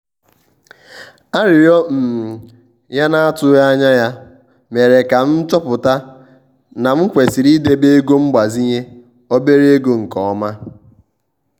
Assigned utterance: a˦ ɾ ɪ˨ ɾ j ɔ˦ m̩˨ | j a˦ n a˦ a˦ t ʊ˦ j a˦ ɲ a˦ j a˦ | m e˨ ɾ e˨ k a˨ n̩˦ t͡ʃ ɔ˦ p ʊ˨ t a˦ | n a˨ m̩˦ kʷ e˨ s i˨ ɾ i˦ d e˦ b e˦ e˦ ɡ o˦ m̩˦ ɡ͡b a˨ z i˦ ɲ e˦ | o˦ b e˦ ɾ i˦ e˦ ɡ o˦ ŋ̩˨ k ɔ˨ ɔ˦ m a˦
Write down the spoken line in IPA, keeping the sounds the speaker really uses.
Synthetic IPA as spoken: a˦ ɾ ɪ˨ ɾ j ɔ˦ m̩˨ | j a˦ n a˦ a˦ t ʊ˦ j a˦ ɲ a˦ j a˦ | m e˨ ɾ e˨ k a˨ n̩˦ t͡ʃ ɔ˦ p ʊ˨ t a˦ | n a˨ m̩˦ kʷ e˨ s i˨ ɾ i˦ d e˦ b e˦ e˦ ɡ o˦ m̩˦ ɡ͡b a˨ z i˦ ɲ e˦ | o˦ b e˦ ɾ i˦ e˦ ɡ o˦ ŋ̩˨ k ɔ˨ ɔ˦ m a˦